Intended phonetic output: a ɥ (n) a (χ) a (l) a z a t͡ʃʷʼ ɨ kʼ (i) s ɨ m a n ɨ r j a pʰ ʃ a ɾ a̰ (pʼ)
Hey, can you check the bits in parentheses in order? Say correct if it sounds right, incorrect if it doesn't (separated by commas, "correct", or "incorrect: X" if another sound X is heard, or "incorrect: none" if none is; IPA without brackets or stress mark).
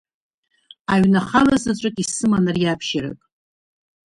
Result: correct, correct, correct, correct, incorrect: kʼ